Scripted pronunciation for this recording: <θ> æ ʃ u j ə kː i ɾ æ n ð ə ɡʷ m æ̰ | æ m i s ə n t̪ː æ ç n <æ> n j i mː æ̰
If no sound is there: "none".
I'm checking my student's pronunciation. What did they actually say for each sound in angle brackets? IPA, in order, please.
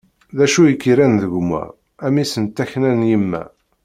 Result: ð, æ

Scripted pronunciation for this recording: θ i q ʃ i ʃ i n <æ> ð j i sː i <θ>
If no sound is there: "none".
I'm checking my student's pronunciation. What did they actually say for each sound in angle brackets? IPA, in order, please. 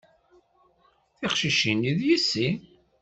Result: i, none

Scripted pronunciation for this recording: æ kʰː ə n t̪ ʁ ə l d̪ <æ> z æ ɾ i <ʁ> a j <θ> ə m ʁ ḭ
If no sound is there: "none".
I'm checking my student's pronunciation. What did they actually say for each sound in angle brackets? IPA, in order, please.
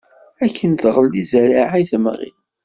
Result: i, ʕ, θ

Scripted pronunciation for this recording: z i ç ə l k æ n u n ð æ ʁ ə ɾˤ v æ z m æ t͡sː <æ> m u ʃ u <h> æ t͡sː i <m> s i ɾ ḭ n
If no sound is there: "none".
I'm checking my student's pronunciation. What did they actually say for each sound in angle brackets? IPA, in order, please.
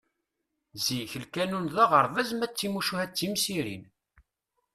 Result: i, h, m

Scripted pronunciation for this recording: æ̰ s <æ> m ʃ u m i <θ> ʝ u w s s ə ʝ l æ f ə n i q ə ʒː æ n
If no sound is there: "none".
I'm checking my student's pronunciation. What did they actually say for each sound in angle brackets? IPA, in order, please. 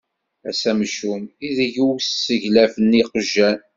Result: æ, ð

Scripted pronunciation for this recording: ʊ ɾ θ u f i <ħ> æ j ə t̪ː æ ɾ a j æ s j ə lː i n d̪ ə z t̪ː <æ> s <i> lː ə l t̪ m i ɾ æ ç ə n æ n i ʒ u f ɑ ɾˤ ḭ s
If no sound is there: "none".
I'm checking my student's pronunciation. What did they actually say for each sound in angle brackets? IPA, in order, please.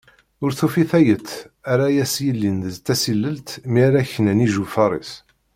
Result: θ, æ, i

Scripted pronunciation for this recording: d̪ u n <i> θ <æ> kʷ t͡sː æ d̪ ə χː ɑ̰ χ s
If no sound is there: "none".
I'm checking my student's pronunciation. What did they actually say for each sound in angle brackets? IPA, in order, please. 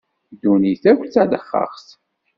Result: i, æ

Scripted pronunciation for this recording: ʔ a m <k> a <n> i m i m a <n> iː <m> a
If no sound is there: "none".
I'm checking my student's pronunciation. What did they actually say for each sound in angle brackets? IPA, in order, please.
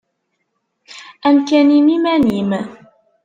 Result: k, n, n, m

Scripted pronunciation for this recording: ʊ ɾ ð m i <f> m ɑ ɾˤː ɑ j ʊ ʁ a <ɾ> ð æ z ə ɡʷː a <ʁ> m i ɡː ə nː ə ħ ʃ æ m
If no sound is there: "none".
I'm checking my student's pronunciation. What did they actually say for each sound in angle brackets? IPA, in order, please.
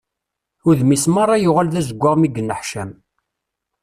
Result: s, l, ʁ

